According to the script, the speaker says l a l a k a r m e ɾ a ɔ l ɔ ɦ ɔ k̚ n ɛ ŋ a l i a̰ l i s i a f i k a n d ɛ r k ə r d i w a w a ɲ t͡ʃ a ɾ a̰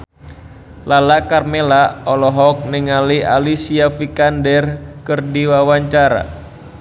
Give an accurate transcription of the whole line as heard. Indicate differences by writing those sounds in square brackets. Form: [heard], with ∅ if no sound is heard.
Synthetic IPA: l a l a k a r m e [l] a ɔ l ɔ ɦ ɔ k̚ n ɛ ŋ a l i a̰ l i s i a f i k a n d ɛ r k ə r d i w a w a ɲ t͡ʃ a ɾ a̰